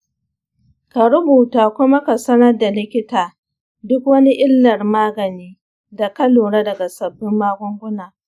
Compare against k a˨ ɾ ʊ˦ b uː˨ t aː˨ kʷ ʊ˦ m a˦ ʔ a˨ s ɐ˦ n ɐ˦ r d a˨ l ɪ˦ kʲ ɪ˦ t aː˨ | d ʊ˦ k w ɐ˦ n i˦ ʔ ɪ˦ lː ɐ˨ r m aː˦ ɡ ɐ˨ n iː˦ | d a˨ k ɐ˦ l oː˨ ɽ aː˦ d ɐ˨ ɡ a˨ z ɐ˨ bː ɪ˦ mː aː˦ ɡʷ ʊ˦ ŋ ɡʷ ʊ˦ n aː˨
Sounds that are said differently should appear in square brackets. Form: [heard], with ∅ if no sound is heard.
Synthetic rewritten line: k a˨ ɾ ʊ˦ b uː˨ t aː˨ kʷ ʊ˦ m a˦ [k] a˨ s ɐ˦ n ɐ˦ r d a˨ l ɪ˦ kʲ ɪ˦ t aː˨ | d ʊ˦ k w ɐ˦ n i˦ ʔ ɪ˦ lː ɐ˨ r m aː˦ ɡ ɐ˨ n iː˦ | d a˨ k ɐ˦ l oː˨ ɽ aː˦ d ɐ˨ ɡ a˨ [s] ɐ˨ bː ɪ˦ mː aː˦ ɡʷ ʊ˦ ŋ ɡʷ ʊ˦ n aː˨